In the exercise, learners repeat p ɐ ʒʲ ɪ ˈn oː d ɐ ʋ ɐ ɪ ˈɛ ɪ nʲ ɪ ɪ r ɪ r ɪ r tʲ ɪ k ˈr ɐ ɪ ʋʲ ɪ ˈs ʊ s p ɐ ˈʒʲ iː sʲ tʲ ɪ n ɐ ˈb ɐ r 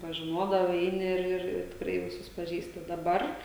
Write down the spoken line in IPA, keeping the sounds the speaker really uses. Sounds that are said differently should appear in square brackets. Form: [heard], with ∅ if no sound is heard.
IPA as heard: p ɐ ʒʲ ɪ ˈn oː d ɐ ʋ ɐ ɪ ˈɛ ɪ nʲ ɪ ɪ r ɪ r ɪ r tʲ ɪ k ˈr ɐ ɪ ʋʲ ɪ ˈs ʊ s p ɐ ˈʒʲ iː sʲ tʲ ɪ [d] ɐ ˈb ɐ r